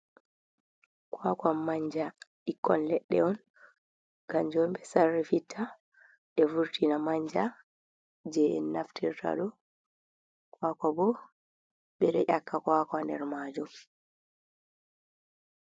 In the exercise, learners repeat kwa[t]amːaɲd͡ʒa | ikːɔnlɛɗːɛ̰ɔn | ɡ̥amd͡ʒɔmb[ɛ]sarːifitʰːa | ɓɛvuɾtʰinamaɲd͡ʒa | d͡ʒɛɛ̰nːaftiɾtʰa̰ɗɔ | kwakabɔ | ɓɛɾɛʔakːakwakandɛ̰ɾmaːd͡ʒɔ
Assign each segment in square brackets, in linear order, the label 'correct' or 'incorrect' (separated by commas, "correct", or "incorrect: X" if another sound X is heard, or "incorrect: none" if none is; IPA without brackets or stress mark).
incorrect: k, correct